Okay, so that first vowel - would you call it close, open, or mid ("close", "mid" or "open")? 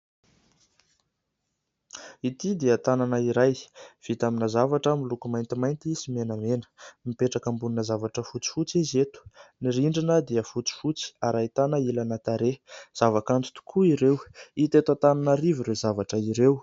close